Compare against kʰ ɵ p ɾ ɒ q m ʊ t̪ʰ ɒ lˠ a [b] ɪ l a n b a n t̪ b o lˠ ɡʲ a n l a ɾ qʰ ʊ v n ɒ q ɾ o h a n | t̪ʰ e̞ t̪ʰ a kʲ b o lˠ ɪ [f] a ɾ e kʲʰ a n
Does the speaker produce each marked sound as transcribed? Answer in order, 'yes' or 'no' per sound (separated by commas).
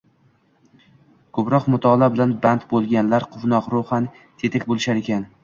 yes, no